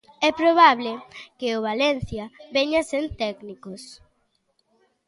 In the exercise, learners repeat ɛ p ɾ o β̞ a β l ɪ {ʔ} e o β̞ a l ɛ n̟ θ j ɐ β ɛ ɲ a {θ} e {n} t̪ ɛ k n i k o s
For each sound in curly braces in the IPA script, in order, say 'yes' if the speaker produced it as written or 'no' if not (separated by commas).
no, no, yes